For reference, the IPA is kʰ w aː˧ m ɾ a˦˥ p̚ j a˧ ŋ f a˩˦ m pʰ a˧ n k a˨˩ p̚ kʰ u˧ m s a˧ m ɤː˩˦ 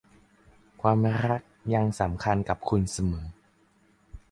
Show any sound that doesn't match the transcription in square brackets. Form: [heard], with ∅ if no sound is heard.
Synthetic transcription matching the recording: kʰ w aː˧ m ɾ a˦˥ [k̚] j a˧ ŋ [s] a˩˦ m [kʰ] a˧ n k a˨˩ p̚ kʰ u˧ [n] s a˧ m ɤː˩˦